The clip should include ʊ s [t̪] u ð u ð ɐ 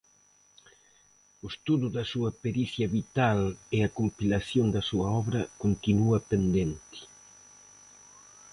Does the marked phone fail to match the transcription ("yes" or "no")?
no